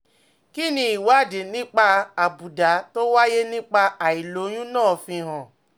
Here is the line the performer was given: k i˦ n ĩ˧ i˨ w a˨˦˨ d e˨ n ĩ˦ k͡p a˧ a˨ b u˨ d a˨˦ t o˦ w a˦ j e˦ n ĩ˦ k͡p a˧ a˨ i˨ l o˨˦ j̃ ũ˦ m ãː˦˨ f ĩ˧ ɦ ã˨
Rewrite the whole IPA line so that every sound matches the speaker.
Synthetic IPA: k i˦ n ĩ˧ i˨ w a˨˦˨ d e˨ n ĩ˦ k͡p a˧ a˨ b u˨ d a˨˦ t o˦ w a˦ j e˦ n ĩ˦ k͡p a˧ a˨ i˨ l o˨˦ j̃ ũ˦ n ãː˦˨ f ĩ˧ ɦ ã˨